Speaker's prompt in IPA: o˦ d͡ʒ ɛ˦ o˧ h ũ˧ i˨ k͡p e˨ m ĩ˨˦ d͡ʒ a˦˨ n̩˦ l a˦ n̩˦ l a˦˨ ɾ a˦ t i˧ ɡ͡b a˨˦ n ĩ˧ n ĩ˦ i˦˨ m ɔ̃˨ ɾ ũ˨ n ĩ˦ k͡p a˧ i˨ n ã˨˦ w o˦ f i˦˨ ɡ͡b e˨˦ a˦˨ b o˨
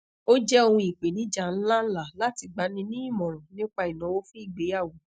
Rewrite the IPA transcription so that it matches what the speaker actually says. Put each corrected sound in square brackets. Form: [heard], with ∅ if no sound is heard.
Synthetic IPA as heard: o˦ d͡ʒ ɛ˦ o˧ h ũ˧ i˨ k͡p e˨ [n] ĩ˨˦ d͡ʒ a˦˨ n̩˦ l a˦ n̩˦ l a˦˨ [l] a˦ t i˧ ɡ͡b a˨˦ n ĩ˧ n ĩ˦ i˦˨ m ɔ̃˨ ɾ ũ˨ n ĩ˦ k͡p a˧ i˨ n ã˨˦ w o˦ f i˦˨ ɡ͡b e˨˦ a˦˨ [w] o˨